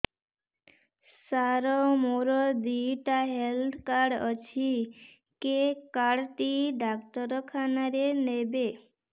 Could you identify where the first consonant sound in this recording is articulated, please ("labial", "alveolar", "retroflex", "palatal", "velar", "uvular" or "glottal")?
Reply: alveolar